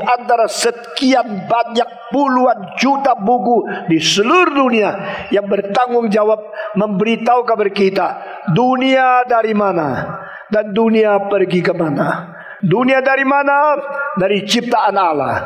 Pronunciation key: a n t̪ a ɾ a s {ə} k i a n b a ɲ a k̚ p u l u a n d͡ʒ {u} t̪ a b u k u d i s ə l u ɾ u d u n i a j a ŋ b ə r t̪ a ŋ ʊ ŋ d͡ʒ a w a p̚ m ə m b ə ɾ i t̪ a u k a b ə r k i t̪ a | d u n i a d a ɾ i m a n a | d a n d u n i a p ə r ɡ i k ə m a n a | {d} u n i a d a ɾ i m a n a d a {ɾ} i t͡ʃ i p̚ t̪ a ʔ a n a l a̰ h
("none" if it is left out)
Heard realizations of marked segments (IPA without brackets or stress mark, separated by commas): ə, u, d, ɾ